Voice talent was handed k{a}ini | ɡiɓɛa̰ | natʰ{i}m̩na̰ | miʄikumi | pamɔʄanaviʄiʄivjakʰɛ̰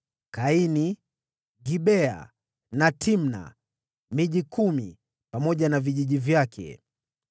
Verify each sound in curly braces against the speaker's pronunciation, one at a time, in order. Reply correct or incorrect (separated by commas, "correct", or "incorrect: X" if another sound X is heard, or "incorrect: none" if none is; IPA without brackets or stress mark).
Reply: correct, correct